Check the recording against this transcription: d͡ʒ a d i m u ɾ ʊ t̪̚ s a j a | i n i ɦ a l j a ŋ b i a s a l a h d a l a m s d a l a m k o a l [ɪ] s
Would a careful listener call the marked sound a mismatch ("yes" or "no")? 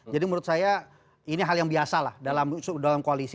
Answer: yes